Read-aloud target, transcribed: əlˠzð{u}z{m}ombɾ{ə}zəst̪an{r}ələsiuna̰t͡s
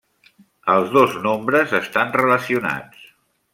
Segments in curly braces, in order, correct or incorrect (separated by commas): incorrect, incorrect, correct, correct